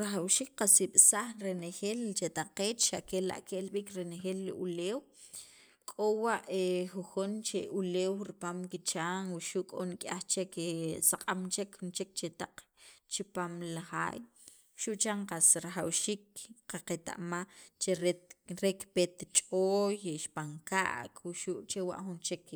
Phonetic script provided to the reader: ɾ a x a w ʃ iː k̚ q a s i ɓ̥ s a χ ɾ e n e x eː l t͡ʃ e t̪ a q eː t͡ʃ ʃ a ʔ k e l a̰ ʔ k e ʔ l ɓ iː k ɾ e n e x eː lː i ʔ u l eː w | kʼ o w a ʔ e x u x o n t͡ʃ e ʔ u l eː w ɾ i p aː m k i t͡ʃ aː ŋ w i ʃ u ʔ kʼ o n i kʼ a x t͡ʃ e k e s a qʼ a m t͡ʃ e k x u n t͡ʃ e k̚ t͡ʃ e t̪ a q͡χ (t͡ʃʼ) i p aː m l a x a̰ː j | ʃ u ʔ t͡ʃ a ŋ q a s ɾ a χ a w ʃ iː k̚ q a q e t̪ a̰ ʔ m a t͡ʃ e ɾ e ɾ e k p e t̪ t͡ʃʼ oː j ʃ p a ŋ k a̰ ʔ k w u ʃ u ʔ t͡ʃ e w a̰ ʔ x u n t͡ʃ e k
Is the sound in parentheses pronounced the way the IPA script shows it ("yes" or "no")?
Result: no